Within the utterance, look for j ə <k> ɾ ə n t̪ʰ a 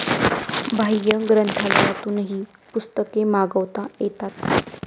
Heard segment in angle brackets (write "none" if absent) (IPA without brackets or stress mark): ɡ